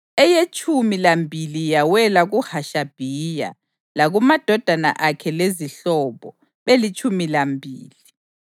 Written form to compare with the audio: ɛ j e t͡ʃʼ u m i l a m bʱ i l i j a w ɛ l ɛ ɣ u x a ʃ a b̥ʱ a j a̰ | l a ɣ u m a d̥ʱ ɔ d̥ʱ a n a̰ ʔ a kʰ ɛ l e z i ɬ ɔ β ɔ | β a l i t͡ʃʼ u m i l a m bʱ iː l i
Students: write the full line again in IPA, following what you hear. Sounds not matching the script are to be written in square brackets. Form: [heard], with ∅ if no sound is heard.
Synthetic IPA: ɛ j e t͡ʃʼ u m i l a m bʱ i l i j a w ɛ l [a] ɣ u [h] a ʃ a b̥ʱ [i] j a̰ | l a ɣ u m a d̥ʱ ɔ d̥ʱ a n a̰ ʔ a kʰ ɛ l e z i ɬ ɔ β ɔ | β [e] l i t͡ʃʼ u m i l a m bʱ iː l i